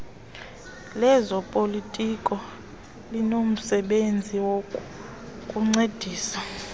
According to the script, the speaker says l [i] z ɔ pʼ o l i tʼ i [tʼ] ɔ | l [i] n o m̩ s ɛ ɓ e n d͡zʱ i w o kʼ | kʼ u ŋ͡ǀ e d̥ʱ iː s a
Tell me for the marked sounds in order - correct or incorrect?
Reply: incorrect, incorrect, correct

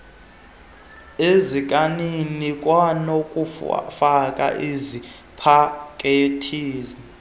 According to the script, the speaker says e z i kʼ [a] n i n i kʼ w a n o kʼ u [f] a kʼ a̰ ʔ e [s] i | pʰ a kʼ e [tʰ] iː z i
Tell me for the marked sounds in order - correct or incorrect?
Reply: correct, correct, incorrect, correct

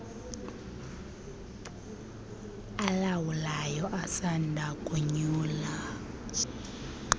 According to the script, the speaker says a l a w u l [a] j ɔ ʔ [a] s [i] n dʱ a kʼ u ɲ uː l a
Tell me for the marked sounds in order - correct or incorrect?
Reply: correct, correct, incorrect

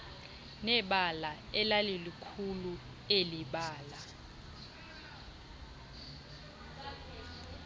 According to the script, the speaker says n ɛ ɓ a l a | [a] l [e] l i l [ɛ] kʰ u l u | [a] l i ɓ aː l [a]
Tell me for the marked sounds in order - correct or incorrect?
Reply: incorrect, incorrect, incorrect, incorrect, correct

